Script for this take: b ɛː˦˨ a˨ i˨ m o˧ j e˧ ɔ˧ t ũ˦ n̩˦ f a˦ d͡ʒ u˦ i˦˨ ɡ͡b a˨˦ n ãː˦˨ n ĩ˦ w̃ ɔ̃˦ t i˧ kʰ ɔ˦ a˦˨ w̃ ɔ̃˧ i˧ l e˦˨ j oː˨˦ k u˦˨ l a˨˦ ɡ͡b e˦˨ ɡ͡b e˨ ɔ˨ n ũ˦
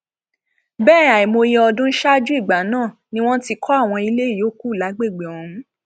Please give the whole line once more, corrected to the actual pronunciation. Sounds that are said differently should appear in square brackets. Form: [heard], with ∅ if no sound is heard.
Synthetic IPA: b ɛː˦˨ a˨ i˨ m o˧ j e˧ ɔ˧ [d] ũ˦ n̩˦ [ʃ] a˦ d͡ʒ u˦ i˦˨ ɡ͡b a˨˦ n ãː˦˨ n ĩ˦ w̃ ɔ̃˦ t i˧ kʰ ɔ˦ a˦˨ w̃ ɔ̃˧ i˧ l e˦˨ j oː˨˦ k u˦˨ l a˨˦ ɡ͡b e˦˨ ɡ͡b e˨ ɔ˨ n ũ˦